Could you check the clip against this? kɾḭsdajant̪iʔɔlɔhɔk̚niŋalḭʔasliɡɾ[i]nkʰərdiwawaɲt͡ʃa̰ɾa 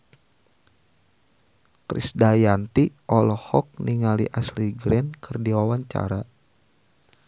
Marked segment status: incorrect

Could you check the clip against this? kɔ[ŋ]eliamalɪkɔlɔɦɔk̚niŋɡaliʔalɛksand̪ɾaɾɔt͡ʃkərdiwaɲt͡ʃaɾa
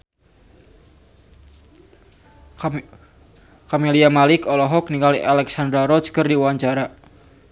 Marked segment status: incorrect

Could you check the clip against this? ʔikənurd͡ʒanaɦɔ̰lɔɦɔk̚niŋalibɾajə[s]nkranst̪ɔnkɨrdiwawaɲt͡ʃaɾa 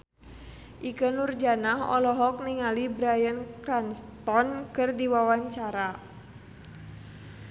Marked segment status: incorrect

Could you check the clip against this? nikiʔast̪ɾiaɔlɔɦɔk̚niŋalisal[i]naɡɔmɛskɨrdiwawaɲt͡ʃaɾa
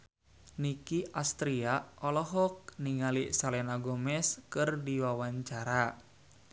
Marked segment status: incorrect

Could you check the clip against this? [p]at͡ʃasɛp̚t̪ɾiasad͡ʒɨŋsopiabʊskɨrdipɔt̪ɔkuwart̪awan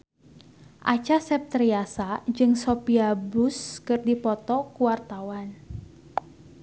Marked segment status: incorrect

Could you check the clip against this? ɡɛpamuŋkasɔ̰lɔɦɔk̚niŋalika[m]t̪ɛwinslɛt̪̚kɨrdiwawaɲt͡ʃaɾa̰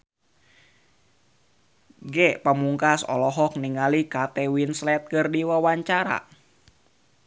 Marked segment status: incorrect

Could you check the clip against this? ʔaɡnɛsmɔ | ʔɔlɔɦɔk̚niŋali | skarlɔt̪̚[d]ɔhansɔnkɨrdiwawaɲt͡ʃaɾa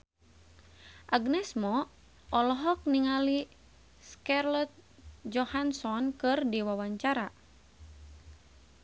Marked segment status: incorrect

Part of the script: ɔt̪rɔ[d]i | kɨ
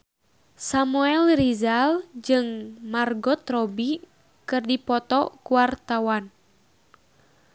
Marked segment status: incorrect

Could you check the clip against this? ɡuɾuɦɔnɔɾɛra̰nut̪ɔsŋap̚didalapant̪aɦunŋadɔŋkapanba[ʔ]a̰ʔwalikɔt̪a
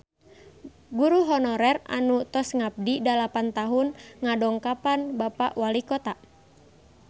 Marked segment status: incorrect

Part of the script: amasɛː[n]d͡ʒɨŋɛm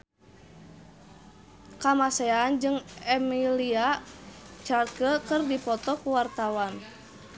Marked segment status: correct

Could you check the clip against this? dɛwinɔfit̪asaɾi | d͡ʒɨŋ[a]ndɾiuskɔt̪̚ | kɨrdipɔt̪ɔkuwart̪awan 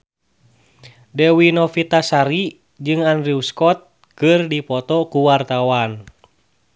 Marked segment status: correct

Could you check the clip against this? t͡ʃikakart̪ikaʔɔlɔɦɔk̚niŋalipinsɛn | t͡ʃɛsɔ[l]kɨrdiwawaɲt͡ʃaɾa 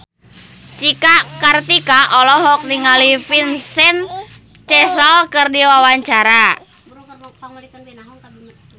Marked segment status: correct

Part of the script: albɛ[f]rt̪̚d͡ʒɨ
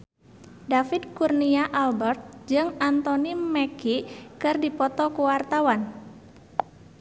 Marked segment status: incorrect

